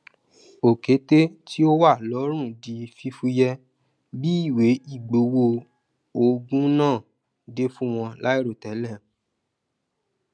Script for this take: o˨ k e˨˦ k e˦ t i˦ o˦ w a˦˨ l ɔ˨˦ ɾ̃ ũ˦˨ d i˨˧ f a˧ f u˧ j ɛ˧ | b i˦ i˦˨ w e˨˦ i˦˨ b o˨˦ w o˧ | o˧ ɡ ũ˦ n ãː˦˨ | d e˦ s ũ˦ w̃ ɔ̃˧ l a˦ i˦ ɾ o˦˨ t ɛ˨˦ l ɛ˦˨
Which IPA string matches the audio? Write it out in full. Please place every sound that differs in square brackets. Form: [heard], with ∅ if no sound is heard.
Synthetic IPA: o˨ k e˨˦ [t] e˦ t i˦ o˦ w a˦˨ l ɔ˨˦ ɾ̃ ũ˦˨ d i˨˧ f [i˧] f u˧ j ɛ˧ | b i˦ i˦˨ w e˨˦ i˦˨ [ɡ͡b] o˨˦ w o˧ | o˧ ɡ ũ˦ n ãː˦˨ | d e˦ [f] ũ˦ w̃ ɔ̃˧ l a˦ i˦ ɾ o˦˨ t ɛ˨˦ l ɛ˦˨